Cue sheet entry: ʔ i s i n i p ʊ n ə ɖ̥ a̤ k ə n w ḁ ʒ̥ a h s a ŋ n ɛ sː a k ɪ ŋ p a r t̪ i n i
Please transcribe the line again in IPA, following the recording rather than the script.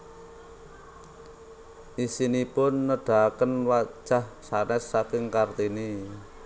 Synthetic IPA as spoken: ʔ i s i n i p ʊ nː ə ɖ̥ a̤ k ə n w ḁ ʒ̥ a h s a n ɛ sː a k ɪ ŋ k a r t̪ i n i